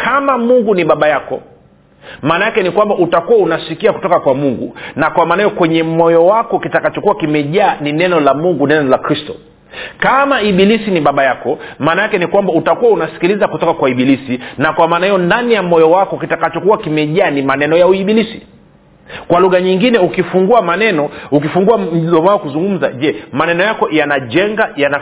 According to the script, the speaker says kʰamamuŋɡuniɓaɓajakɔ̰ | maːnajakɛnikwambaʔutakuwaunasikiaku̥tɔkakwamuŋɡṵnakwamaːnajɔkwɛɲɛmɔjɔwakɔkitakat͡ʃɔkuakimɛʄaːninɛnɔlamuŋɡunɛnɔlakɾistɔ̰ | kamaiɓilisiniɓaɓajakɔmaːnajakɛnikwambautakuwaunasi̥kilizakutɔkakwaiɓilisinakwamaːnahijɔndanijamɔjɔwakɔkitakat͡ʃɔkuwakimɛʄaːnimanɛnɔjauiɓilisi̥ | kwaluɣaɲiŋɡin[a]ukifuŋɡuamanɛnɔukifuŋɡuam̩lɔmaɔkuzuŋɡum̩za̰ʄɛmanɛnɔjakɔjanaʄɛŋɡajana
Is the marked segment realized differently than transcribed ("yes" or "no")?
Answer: yes